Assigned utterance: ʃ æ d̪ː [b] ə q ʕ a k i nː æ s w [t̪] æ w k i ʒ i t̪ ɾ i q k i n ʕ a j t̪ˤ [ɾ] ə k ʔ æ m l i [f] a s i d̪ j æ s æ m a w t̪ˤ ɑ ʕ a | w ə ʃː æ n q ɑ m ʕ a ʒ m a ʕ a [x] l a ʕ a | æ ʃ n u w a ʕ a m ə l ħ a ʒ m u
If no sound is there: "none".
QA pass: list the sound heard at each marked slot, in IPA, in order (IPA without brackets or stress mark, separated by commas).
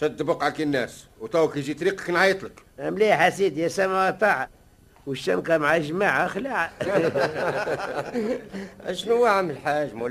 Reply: b, t̪, l, ħ, x